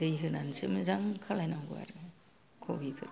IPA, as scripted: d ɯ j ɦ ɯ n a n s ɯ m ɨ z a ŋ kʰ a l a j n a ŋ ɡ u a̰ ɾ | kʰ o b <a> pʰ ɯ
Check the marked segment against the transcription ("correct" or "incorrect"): incorrect